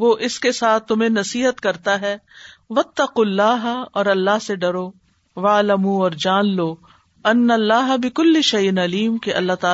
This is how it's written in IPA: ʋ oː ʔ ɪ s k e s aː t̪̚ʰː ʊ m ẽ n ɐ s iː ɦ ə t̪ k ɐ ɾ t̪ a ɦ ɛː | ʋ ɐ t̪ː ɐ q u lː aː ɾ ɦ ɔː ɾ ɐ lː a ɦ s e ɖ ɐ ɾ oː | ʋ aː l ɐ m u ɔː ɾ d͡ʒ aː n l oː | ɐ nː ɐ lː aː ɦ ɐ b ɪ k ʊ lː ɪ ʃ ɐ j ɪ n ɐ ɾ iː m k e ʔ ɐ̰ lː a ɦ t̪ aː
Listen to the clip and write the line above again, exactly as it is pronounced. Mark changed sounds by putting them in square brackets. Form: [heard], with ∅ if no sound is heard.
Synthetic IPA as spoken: ʋ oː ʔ ɪ s k e s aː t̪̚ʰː ʊ m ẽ n ɐ s iː ɦ ə t̪ k ɐ ɾ t̪ a ɦ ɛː | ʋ ɐ t̪ː ɐ q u lː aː [∅] ɦ ɔː ɾ ɐ lː a ɦ s e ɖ ɐ ɾ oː | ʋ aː l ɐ m u ɔː ɾ d͡ʒ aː n l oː | ɐ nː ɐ lː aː ɦ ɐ b ɪ k ʊ lː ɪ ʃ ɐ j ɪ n ɐ [l] iː m k e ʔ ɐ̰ lː a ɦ t̪ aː